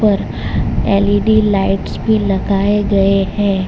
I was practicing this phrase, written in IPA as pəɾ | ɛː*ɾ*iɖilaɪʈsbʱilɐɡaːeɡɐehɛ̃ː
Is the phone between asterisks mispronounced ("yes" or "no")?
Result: yes